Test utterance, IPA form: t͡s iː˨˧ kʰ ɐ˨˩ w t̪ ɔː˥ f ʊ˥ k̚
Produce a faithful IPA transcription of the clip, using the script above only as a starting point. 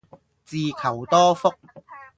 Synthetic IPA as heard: t͡s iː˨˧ kʰ ɐ˨˩ w t̪ ɔː˥ f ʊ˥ k̚